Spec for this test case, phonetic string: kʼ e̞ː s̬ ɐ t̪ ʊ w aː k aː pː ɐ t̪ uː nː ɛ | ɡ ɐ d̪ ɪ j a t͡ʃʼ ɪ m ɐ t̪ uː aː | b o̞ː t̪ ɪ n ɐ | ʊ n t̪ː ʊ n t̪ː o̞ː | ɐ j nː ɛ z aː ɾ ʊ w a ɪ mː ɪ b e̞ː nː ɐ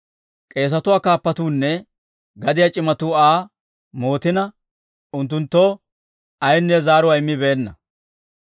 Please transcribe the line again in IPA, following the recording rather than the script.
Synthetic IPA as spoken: kʼ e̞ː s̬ ɐ t̪ ʊ w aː k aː pː ɐ t̪ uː nː ɛ | ɡ ɐ d̪ ɪ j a t͡ʃʼ ɪ m ɐ t̪ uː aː | m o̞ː t̪ ɪ n ɐ | ʊ n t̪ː ʊ n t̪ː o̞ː | ɐ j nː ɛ z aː ɾ ʊ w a ɪ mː ɪ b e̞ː nː ɐ